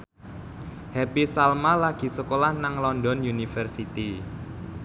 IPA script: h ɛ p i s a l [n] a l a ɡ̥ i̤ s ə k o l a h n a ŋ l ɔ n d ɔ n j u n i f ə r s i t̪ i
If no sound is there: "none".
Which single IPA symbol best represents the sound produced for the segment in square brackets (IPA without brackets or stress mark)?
m